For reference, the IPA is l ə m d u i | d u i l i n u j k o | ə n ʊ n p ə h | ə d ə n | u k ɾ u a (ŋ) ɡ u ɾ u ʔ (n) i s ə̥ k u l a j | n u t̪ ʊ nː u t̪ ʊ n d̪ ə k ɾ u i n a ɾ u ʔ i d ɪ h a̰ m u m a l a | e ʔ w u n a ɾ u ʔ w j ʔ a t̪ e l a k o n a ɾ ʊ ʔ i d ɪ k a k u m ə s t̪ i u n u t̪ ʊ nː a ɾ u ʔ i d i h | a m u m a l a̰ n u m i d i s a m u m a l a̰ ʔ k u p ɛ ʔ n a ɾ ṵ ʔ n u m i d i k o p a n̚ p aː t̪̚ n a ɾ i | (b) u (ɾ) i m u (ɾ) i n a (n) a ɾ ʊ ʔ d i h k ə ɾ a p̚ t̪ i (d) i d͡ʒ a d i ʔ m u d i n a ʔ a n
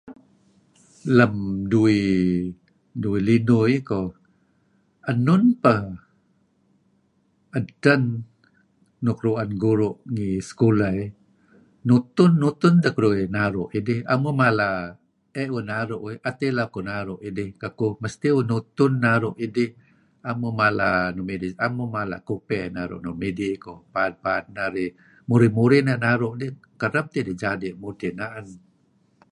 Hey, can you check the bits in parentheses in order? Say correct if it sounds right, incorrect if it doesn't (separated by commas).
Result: incorrect, incorrect, incorrect, correct, correct, correct, correct